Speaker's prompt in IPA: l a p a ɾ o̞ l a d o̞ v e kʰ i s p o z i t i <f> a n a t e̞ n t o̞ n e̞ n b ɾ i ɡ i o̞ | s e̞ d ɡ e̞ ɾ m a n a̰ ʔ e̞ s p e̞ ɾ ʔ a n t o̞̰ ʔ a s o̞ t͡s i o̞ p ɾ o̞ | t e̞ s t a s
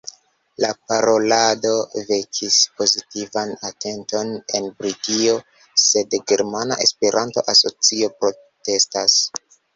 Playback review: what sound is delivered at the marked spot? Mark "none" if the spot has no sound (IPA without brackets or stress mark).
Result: v